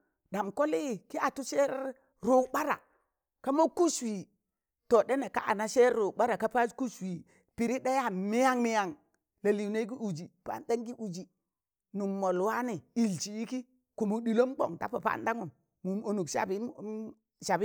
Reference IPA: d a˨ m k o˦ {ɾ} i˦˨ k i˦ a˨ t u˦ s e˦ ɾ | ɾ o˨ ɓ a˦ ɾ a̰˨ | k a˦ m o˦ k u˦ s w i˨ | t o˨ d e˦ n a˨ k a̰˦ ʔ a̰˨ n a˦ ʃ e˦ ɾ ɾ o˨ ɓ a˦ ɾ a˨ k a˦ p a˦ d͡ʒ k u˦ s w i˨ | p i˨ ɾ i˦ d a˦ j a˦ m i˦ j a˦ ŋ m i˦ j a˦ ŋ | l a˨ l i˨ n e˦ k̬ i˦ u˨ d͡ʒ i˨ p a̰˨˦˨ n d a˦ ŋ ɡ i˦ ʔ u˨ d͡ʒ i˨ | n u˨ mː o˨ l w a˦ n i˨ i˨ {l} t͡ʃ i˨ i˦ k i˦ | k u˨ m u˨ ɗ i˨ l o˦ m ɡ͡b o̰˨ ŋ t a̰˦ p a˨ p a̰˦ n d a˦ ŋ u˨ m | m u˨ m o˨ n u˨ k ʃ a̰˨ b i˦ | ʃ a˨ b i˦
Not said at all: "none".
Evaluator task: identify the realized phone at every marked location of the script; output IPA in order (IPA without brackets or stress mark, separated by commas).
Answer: l, l